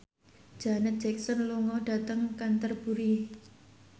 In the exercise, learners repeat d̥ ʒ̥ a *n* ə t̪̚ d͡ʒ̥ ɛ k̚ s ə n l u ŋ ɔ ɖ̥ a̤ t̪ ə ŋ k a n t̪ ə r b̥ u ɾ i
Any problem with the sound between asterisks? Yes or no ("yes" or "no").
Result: no